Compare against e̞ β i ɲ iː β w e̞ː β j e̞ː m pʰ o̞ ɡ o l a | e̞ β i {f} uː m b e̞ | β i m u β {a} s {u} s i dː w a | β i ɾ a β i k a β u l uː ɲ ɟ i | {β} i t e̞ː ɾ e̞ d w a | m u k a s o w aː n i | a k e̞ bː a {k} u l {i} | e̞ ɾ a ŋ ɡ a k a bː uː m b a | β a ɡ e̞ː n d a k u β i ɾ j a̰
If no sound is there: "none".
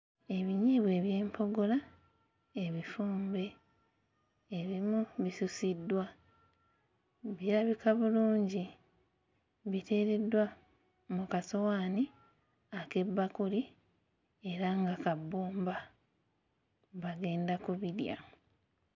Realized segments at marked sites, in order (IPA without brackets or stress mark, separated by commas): f, i, u, β, k, i